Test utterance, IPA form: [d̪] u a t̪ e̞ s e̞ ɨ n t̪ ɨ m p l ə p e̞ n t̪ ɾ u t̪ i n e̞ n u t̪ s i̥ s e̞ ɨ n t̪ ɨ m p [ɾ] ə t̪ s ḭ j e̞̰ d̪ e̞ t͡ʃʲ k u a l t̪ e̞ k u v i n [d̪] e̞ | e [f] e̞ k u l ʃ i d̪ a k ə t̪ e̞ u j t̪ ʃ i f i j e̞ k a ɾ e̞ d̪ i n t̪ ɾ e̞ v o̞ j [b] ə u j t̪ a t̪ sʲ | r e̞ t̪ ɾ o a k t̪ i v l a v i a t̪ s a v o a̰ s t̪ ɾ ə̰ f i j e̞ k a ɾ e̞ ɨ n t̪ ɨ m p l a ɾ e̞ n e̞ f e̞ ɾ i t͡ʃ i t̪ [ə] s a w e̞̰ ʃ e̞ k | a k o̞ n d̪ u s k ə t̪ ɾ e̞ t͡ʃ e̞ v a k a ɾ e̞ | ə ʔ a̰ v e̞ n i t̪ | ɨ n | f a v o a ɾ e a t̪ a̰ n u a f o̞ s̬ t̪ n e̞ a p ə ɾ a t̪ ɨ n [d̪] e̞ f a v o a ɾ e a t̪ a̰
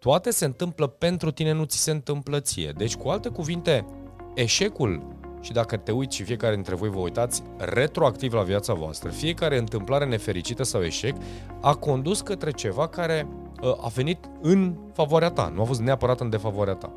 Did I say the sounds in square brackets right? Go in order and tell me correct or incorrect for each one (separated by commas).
incorrect, incorrect, incorrect, incorrect, incorrect, correct, correct